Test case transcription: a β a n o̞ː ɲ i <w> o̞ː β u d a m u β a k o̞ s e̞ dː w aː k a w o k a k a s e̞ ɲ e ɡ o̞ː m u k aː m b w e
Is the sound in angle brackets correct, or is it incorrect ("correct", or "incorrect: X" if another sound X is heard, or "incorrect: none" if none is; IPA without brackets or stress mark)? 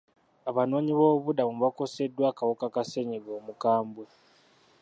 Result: incorrect: β